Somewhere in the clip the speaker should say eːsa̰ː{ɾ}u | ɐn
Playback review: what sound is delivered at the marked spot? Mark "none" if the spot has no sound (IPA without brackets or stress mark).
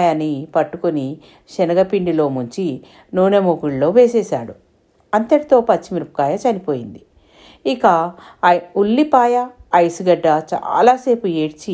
ɽ